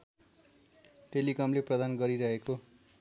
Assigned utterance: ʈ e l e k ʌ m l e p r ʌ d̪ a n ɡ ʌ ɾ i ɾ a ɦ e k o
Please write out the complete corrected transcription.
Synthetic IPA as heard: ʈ e l i k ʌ m l e p r ʌ d̪ a n ɡ ʌ ɾ i ɾ ʌ ɦ e k o